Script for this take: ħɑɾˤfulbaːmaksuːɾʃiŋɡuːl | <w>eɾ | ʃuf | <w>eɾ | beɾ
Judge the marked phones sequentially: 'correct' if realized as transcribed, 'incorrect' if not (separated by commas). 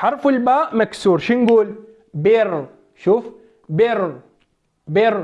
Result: incorrect, incorrect